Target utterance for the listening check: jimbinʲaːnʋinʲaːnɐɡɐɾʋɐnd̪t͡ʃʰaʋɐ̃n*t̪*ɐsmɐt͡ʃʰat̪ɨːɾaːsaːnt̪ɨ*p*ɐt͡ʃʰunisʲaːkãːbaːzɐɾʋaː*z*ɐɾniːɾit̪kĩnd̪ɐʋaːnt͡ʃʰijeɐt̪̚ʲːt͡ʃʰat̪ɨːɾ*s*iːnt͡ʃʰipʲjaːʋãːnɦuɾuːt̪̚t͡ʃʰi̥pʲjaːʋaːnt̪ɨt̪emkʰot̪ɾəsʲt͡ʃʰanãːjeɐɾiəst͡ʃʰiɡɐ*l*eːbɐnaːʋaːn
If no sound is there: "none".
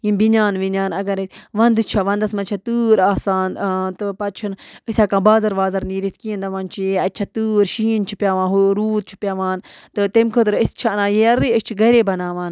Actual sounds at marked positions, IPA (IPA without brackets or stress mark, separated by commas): d̪, p, z, ʃ, ɾ